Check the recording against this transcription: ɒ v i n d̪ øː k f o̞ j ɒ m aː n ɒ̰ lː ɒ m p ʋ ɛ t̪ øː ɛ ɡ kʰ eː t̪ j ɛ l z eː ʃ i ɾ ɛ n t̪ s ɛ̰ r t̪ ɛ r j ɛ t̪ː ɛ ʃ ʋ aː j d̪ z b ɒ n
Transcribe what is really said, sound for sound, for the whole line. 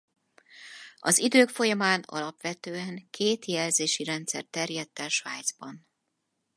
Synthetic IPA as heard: ɒ z i d̪ øː k f o̞ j ɒ m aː n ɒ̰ l ɒ p ʋ ɛ t̪ øː ɛ ŋ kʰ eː t̪ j ɛ l z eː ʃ i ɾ ɛ n t̪ s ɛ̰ r t̪ ɛ r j ɛ t̪ː ɛ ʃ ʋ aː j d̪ z b ɒ n